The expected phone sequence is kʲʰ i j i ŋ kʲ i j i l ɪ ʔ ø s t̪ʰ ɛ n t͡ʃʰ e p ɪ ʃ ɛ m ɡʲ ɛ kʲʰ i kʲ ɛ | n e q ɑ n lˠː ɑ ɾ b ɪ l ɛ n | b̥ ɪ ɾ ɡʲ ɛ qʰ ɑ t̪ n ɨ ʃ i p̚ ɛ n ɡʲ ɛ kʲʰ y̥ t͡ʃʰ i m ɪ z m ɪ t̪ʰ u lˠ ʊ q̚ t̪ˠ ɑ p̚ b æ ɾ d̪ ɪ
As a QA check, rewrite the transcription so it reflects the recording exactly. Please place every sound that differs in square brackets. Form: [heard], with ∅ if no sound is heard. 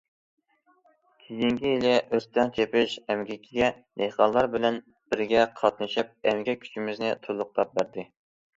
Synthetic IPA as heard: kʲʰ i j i ŋ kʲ i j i l ɪ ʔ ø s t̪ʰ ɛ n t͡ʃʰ e p ɪ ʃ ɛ m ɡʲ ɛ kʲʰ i [ɡʲ] ɛ | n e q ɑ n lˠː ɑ ɾ b ɪ l ɛ n | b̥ ɪ ɾ ɡʲ ɛ qʰ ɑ t̪ n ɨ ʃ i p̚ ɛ [m] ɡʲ ɛ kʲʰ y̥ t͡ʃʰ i m ɪ z [n] ɪ t̪ʰ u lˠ ʊ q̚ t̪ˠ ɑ p̚ b æ ɾ d̪ ɪ